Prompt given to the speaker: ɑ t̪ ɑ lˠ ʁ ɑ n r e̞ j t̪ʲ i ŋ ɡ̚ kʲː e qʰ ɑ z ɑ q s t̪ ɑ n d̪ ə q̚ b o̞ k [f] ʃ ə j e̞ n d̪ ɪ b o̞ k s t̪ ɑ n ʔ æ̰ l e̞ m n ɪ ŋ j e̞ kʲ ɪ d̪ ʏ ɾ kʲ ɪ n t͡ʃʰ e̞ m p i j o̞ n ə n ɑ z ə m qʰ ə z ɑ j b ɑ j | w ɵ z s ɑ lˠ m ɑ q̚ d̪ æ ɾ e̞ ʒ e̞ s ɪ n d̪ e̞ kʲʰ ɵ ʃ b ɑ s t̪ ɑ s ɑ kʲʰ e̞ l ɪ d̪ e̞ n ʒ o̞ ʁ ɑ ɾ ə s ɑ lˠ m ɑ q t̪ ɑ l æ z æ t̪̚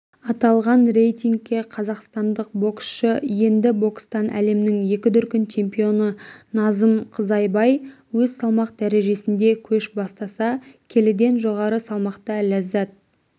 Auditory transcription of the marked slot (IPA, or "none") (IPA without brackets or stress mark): s